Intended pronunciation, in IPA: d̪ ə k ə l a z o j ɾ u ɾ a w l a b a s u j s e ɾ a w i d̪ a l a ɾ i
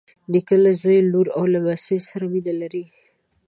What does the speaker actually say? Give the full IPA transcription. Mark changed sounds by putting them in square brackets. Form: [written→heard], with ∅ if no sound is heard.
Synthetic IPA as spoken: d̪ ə k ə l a z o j [ɾ→l] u ɾ a w l a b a s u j s [e→a] ɾ a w i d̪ a l a ɾ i